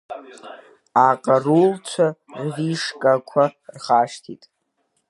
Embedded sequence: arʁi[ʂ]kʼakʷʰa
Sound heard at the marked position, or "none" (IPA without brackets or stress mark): ʂ